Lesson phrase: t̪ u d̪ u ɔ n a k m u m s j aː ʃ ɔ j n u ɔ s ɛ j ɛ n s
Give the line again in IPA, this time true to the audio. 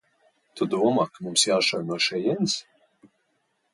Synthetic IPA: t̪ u d̪ u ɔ m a k m u m s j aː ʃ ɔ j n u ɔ ʃ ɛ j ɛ n s